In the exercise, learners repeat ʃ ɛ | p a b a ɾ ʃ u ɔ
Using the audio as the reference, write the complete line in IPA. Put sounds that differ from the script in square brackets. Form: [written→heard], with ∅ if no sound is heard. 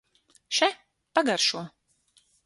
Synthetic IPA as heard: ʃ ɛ | p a [b→ɡ] a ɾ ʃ u ɔ